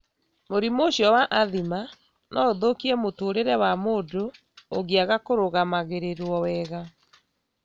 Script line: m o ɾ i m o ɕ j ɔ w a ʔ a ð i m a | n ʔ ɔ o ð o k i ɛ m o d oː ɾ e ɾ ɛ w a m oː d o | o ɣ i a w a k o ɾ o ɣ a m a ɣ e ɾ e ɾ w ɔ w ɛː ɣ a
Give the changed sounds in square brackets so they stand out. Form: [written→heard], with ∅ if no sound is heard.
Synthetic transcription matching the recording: m o ɾ i m o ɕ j ɔ w a ʔ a ð i m a | n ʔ ɔ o ð o k i ɛ m o [d→t] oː ɾ e ɾ ɛ w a m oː d o | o ɣ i a [w→ɣ] a k o ɾ o ɣ a m a ɣ e ɾ e ɾ w ɔ w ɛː ɣ a